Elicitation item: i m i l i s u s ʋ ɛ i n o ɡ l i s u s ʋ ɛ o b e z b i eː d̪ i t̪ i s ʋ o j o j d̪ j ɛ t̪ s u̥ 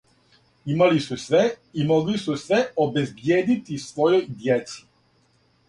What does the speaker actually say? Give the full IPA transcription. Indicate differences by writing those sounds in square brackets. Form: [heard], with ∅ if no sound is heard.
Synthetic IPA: i m [a] l i s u s ʋ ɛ i [m] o ɡ l i s u s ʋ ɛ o b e z b [j] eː d̪ i t̪ i s ʋ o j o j d̪ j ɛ t̪ s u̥